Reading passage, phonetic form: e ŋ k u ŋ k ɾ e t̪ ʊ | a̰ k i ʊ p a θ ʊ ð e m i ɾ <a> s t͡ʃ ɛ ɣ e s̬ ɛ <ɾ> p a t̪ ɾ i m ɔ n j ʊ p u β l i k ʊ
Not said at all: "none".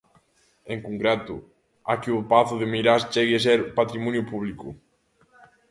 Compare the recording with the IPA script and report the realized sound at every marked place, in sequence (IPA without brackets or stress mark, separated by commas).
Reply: a, ɾ